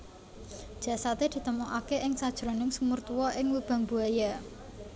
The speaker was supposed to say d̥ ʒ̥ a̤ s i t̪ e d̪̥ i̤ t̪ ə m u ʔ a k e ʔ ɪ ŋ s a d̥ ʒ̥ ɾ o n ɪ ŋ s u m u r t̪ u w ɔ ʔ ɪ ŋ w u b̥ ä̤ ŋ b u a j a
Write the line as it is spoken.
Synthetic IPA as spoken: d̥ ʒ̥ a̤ s a t̪ e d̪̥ i̤ t̪ ə m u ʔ a k e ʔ ɪ ŋ s a d̥ ʒ̥ ɾ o n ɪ ŋ s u m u r t̪ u w ɔ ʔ ɪ ŋ w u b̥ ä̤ ŋ b u a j a